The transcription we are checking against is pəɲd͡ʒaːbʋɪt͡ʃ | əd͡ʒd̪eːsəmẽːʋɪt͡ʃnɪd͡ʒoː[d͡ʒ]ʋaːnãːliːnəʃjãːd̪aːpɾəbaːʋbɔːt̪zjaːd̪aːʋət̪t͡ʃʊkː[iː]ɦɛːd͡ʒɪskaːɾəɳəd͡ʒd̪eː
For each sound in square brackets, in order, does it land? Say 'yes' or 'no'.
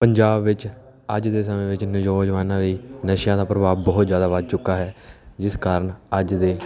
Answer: yes, no

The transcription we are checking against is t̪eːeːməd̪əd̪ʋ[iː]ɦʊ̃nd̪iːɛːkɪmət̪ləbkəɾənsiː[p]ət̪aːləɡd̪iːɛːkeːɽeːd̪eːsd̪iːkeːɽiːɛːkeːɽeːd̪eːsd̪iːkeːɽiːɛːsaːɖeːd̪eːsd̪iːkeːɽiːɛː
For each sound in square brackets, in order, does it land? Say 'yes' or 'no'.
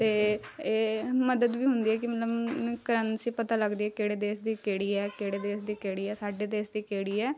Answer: yes, yes

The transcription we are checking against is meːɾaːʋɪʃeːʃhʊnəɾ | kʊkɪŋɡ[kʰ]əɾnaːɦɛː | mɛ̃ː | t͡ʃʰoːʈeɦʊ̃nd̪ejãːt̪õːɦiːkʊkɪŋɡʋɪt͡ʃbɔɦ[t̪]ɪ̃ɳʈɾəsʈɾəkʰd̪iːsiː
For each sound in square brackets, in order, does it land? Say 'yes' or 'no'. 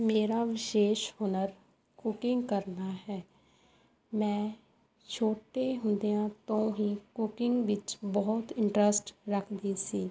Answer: no, yes

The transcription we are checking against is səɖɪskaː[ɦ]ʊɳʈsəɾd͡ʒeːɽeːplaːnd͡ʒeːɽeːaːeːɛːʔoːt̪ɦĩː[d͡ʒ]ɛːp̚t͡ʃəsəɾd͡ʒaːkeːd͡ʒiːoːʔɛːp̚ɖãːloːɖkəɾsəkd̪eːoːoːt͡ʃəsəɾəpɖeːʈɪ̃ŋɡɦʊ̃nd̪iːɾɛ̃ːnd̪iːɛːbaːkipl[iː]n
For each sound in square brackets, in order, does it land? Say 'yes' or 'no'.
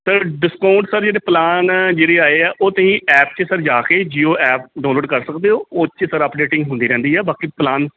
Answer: no, no, no

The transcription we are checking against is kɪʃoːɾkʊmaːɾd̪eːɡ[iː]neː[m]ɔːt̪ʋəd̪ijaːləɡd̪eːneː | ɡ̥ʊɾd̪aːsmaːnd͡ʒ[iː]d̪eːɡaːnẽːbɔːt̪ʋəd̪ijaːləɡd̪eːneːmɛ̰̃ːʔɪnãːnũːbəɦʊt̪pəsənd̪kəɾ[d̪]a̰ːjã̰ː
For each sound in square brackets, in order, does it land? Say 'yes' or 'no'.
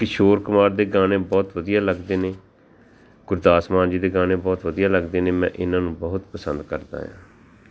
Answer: no, no, yes, yes

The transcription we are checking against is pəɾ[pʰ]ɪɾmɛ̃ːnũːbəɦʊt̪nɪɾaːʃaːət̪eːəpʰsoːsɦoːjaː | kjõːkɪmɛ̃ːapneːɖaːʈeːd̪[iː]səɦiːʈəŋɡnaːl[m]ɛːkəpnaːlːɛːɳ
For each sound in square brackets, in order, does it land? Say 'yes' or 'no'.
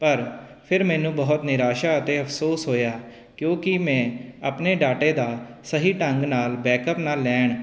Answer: yes, no, no

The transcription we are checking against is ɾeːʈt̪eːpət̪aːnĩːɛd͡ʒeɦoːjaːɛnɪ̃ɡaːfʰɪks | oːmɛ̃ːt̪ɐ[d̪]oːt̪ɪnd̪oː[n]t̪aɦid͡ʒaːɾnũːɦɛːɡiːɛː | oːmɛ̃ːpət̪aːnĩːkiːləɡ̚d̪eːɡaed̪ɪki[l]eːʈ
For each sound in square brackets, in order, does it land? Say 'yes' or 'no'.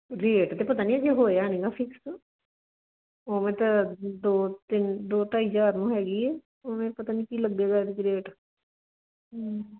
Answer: yes, no, no

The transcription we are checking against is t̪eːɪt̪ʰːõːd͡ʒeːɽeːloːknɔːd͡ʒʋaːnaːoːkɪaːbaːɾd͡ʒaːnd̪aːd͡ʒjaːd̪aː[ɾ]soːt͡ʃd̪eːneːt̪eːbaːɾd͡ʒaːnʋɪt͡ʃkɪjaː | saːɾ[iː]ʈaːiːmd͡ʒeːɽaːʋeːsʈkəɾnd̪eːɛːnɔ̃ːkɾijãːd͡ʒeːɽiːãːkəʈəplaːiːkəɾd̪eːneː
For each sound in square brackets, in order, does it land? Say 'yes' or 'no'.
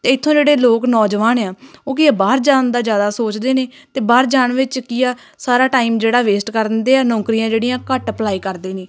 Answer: no, no

